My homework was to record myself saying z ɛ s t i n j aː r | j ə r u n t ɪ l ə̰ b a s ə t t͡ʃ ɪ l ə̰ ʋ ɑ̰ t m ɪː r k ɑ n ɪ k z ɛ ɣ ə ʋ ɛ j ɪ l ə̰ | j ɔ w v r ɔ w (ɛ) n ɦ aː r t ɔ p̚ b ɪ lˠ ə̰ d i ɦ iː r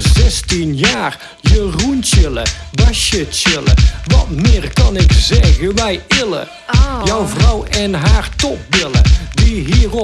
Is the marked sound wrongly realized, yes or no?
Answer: no